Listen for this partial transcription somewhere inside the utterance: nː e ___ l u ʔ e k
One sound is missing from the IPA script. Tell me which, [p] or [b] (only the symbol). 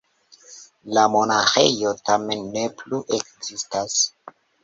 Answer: p